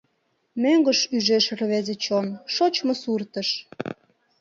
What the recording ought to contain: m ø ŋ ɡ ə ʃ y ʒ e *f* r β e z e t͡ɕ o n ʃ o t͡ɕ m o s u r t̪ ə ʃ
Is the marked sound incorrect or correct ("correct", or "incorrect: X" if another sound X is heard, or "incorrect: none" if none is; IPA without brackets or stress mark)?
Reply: incorrect: ʃ